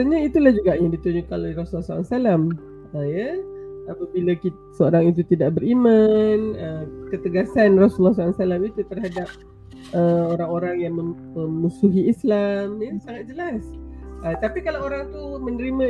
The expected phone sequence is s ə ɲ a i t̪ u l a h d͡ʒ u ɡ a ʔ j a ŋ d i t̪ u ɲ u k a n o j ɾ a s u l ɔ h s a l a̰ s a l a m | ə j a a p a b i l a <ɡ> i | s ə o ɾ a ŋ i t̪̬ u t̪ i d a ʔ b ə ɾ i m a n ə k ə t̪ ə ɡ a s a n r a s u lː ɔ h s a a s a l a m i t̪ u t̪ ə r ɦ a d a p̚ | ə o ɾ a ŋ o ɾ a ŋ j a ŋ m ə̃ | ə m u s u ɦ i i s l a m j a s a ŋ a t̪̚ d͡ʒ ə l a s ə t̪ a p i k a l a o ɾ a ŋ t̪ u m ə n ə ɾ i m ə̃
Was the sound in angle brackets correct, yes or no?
no